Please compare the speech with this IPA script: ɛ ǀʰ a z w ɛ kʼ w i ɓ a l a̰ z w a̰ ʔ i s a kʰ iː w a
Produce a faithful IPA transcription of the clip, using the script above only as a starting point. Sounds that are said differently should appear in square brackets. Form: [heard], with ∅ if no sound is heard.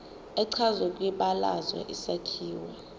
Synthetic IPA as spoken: ɛ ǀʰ a z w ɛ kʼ w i ɓ a l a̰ z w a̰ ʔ i s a kʰ iː w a